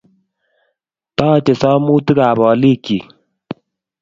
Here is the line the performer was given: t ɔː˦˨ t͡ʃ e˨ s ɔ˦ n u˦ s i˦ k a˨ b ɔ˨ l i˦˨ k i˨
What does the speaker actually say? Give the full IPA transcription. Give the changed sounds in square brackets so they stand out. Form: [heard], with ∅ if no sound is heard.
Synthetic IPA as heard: t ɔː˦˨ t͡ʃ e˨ s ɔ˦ [m] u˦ [t] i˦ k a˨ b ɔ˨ l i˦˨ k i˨